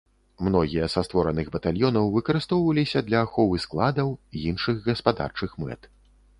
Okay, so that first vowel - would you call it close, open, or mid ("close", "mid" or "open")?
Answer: mid